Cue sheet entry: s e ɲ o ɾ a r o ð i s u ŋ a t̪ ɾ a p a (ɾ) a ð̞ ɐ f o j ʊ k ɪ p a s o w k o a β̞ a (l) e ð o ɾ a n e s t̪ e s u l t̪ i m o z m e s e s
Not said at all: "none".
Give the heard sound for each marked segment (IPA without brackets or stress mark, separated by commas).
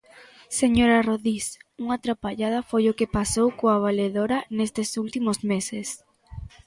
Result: ʎ, l